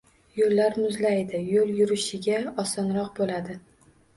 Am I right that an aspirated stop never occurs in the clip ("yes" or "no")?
yes